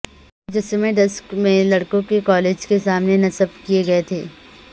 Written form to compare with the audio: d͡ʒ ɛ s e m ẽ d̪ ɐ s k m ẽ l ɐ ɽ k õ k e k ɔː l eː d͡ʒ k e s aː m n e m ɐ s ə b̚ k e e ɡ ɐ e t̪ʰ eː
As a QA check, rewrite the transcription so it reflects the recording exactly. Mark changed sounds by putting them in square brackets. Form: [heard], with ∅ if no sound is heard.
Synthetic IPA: d͡ʒ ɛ s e m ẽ d̪ ɐ s k m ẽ l ɐ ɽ k õ k e k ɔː l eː d͡ʒ k e s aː m n e [n] ɐ s ə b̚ k [i] e ɡ ɐ e t̪ʰ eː